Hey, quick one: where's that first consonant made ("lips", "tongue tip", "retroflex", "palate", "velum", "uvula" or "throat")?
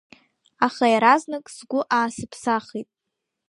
uvula